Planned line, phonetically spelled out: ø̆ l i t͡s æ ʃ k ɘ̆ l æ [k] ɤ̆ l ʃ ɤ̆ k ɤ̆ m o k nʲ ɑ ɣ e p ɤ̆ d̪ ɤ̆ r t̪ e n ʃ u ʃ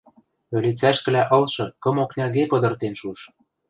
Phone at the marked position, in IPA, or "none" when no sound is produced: ʔ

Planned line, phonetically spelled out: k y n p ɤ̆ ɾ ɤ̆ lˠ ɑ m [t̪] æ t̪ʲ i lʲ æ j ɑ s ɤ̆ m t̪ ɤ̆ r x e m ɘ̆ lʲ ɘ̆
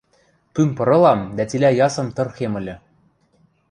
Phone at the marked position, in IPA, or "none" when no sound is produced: d̪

